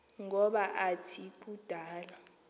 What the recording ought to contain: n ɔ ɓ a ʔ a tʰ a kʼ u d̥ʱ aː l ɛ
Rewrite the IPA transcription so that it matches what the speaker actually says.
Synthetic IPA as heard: ŋ ɔ ɓ a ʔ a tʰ i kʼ u d̥ʱ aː l a